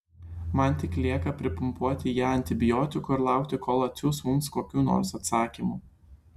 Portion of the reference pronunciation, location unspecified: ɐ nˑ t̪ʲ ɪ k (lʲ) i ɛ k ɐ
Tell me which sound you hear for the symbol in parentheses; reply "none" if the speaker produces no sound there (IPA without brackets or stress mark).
lʲ